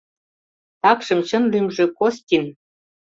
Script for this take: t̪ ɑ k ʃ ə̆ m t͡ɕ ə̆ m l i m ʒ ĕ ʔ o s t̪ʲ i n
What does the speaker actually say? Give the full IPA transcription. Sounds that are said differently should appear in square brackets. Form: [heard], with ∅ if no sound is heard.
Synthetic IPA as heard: t̪ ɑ k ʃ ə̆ m t͡ɕ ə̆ [n] l [y] m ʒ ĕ [k] o s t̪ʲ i n

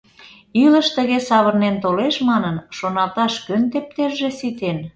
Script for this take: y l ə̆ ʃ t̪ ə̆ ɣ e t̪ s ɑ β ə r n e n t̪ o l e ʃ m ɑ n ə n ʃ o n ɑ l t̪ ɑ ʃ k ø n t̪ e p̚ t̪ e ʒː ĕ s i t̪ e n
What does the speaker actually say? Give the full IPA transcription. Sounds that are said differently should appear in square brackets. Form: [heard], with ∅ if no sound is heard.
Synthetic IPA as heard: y l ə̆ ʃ t̪ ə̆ ɣ e [∅] s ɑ β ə r n e n t̪ o l e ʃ m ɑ n ə n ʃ o n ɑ l t̪ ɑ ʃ k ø n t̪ e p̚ t̪ e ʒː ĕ s i t̪ e n

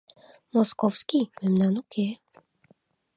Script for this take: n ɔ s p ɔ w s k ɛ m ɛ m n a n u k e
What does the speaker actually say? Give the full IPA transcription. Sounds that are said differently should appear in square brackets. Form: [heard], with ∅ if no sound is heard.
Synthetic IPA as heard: [m] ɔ s [k] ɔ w s k [i] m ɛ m n a n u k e

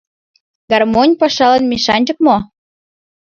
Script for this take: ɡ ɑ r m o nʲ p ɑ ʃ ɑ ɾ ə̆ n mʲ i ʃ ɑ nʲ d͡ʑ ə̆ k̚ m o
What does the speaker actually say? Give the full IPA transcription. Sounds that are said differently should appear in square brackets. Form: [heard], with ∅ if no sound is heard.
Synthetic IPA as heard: ɡ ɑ r m o nʲ p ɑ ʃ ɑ [l] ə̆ n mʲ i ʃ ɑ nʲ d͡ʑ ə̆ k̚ m o

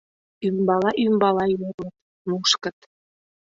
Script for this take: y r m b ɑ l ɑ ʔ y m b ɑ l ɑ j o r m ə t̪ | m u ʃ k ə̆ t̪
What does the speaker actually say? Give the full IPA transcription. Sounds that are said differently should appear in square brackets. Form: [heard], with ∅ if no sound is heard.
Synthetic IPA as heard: y [∅] m b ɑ l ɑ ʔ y m b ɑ l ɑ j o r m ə t̪ | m u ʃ k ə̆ t̪

